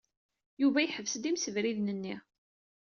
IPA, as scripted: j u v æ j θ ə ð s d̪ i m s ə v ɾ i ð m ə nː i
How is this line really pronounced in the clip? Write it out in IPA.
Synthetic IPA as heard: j u v æ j ħ ə v s d̪ i m s ə v ɾ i ð n ə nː i